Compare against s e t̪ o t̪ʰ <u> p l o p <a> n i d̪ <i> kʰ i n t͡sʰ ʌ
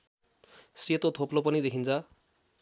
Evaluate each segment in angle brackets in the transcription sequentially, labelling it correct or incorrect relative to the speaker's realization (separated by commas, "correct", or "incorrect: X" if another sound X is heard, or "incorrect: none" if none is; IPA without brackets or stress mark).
incorrect: o, incorrect: ʌ, incorrect: e